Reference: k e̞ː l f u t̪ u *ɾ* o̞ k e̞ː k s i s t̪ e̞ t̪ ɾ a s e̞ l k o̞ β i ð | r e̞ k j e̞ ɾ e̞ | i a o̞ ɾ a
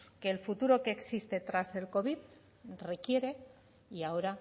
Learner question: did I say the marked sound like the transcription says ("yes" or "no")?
yes